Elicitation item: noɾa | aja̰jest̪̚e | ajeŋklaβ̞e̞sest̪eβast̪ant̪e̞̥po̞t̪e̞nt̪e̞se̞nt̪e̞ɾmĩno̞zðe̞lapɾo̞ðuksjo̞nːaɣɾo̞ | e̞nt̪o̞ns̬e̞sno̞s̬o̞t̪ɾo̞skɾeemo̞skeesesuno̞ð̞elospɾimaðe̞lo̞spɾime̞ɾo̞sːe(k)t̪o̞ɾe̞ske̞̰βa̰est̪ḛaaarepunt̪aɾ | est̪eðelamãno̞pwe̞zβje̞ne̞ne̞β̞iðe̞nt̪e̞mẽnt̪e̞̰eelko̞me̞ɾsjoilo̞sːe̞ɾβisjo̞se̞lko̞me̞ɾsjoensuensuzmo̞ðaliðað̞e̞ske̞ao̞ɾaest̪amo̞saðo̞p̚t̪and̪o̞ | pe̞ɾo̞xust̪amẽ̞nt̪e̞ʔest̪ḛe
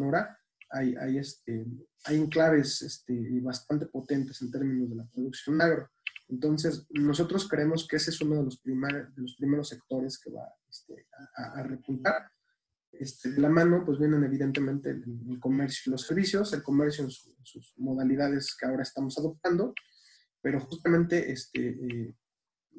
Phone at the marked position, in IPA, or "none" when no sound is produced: k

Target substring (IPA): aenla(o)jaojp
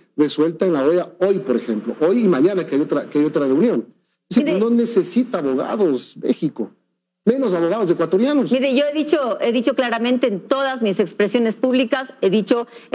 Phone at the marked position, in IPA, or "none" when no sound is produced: o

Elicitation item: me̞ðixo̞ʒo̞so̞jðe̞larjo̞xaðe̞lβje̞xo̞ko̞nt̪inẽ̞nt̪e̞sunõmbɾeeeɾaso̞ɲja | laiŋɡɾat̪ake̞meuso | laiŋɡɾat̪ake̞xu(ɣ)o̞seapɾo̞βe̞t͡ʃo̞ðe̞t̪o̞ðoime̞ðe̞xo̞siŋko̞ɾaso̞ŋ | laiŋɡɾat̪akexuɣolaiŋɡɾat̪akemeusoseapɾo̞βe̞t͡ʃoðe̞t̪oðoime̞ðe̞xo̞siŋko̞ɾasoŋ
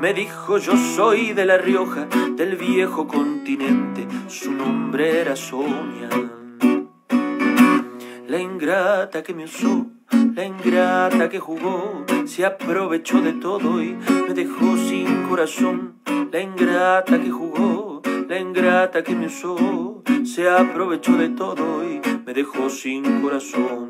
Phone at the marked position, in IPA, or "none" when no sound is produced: ɣ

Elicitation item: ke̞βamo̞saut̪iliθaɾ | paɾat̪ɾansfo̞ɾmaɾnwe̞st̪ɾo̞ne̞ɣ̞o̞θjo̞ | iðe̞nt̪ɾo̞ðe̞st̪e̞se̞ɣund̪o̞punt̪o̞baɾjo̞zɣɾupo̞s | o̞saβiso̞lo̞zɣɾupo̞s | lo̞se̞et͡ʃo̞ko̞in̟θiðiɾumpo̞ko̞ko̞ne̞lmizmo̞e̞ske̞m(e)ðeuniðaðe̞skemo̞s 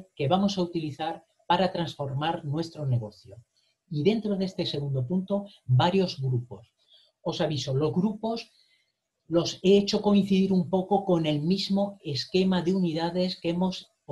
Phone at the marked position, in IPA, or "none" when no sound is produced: a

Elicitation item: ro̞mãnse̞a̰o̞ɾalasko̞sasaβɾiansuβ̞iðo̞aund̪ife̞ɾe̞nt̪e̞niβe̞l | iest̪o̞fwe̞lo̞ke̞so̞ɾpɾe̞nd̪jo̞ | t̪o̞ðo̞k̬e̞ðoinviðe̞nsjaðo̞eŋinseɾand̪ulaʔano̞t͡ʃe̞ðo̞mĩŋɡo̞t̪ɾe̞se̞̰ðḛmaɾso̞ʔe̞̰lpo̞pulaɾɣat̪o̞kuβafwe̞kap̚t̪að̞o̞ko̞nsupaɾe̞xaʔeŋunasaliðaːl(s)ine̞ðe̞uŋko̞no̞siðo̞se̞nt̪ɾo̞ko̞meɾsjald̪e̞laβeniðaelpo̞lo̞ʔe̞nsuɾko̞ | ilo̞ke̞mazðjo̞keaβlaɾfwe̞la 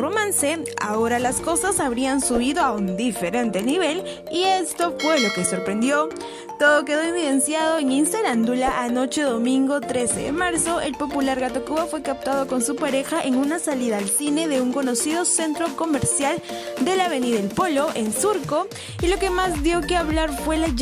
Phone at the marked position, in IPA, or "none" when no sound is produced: s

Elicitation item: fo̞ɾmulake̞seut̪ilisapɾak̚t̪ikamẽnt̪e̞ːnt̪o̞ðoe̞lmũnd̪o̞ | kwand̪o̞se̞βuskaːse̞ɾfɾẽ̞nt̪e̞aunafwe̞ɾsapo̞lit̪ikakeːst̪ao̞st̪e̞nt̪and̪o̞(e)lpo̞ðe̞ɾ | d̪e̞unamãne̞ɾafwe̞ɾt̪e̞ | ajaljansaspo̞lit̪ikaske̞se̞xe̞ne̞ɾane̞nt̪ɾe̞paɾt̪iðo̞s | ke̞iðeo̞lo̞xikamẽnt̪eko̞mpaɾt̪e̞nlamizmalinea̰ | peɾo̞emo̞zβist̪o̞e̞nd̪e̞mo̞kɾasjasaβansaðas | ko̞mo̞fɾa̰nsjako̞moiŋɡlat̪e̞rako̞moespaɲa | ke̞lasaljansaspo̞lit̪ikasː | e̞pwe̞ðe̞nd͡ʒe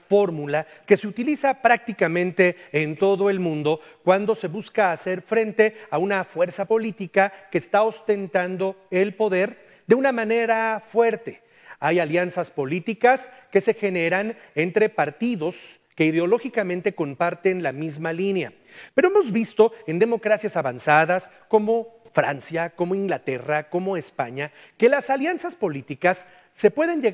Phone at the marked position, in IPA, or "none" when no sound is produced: e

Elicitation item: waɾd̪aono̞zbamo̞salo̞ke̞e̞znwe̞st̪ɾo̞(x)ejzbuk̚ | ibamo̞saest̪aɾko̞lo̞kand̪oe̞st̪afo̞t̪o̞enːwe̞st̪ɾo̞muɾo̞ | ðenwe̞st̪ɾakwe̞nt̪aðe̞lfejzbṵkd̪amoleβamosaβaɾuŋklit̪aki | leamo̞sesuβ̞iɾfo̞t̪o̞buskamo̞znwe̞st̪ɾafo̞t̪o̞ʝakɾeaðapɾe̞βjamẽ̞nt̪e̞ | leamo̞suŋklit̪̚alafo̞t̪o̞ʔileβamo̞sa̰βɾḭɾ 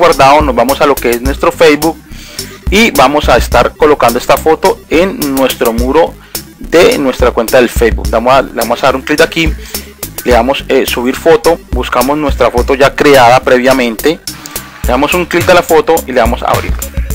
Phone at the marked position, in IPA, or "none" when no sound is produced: f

